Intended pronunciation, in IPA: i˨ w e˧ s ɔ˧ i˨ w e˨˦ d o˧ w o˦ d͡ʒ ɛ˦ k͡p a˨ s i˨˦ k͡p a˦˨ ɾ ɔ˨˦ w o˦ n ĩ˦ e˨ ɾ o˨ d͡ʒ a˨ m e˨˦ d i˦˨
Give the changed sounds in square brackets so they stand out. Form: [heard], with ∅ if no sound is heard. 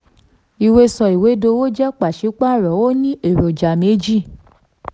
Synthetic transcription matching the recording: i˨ w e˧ s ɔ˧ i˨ w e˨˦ d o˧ w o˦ d͡ʒ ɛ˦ k͡p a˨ [ʃ] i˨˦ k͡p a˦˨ ɾ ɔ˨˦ w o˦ n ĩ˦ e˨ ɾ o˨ d͡ʒ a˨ m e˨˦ [d͡ʒ] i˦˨